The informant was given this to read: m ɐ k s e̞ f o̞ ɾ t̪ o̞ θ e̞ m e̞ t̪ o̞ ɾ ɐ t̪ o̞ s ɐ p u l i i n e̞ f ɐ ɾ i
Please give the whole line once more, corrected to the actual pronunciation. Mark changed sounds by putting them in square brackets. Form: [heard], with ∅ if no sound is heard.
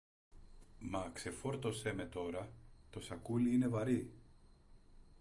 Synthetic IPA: m ɐ k s e̞ f o̞ ɾ t̪ o̞ [s] e̞ m e̞ t̪ o̞ ɾ ɐ t̪ o̞ s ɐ [k] u l i i n e̞ [v] ɐ ɾ i